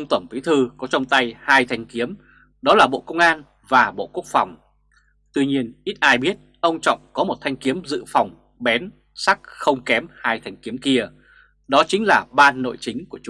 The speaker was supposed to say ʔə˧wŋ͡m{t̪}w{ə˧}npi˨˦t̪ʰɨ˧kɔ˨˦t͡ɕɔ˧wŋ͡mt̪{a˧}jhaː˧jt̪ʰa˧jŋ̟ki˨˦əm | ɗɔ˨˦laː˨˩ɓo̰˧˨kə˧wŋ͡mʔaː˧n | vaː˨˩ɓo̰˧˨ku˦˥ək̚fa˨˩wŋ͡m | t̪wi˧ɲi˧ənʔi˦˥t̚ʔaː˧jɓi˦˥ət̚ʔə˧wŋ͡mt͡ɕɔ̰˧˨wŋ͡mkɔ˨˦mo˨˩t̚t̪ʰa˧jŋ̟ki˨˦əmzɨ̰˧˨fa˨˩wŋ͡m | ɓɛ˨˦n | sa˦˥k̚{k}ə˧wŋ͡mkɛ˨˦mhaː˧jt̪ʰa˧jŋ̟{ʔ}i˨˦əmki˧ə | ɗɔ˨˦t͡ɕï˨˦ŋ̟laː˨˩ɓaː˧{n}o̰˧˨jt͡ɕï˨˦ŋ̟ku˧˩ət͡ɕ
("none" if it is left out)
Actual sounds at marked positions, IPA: t̪, ə˧˩, a˧, x, k, nː

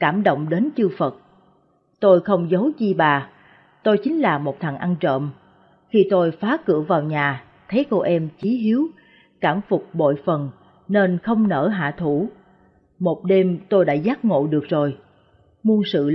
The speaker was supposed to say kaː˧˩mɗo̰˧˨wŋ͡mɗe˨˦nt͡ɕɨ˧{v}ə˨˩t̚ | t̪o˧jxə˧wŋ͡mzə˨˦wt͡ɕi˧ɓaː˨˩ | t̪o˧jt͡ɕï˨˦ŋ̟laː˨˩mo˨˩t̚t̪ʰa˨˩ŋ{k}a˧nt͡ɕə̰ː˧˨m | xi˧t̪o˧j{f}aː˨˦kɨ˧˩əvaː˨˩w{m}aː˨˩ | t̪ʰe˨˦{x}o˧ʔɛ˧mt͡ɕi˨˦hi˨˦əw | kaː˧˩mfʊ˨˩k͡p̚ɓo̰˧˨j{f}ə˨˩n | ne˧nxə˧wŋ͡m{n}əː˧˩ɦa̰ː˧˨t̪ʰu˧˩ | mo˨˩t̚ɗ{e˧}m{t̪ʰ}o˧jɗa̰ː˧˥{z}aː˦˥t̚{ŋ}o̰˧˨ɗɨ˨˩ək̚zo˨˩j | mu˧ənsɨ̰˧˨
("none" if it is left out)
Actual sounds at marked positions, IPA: f, ʔ, f, ɲ, k, f, n, e˧, t̪, z, ŋ

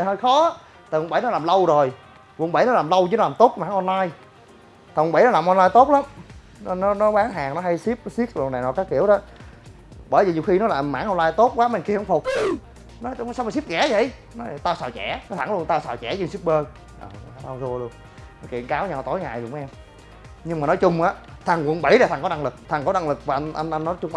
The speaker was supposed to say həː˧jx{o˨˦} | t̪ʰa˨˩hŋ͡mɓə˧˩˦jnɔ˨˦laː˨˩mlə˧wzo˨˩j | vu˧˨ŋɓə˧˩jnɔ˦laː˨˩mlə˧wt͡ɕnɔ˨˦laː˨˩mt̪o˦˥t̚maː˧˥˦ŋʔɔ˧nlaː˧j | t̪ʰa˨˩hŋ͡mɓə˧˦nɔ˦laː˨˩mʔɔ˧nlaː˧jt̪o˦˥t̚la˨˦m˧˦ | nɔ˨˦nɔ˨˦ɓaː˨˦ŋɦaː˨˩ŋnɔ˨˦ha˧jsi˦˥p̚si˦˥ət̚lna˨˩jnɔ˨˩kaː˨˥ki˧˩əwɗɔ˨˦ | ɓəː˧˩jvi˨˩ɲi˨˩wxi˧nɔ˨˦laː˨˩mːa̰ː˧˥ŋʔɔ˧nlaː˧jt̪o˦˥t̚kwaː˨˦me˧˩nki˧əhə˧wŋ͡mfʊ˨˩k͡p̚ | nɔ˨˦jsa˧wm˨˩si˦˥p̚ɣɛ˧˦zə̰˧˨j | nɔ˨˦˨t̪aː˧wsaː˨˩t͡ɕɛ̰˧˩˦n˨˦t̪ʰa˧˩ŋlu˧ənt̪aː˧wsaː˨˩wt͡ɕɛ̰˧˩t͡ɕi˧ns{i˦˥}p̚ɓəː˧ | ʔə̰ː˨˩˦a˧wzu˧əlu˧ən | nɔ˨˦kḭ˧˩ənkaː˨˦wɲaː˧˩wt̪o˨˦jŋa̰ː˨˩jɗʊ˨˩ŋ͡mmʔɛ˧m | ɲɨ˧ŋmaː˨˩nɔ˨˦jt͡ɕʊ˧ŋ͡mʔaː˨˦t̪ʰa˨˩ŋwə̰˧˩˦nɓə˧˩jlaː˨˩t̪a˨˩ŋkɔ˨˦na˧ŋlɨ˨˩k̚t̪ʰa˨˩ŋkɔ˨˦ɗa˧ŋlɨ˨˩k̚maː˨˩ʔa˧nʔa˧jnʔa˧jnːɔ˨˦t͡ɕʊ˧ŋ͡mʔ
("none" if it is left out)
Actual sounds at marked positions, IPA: ɔ˨˦, i˦˥

